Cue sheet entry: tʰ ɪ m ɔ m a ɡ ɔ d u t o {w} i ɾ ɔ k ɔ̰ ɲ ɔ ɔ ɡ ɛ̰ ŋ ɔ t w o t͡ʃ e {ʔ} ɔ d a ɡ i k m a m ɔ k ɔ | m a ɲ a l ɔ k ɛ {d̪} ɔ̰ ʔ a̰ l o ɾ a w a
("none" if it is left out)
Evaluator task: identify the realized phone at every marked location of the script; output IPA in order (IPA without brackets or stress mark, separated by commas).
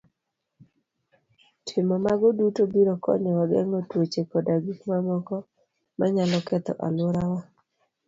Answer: b, k, t̪